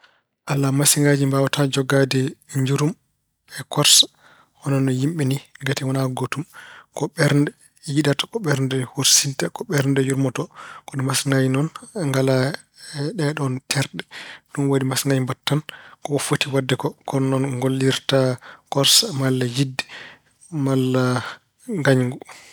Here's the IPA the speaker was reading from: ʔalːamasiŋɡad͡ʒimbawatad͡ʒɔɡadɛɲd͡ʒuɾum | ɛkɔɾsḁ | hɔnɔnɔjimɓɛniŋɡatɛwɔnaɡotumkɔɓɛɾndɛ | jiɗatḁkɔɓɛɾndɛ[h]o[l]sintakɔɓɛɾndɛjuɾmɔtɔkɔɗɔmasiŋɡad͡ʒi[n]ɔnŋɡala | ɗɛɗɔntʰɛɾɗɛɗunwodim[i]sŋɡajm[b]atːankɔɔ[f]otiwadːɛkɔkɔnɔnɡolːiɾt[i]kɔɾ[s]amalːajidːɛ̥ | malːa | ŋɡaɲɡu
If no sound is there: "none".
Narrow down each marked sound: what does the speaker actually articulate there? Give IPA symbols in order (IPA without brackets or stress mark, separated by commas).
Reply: h, ɾ, n, a, b, f, a, s